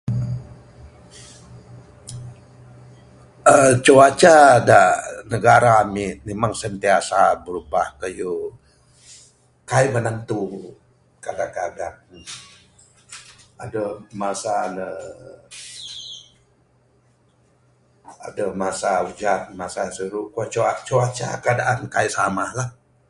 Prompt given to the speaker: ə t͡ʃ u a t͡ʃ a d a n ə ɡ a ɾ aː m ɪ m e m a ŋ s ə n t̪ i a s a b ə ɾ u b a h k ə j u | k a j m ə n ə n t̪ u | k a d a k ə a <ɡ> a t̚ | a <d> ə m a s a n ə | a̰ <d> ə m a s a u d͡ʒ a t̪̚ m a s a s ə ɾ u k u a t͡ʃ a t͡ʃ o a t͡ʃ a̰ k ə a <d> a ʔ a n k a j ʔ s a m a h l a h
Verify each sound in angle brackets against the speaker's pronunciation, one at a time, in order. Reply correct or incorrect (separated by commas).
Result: incorrect, correct, correct, correct